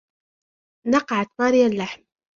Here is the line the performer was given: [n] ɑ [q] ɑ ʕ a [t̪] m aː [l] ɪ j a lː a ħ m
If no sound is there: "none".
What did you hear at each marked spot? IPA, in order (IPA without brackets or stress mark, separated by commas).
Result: n, q, t̪, ɾ